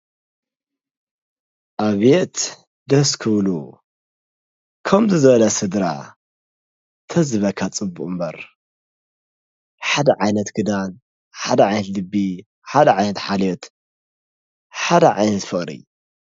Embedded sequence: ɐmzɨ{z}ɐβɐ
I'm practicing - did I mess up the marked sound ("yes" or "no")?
no